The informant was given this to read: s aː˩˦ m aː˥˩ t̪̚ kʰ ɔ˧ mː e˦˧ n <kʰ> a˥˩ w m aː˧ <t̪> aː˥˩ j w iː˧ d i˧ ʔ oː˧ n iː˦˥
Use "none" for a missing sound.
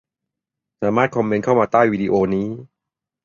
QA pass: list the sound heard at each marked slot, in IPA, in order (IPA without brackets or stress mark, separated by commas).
kʰ, t̪